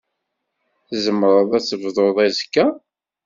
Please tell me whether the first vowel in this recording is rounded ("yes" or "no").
no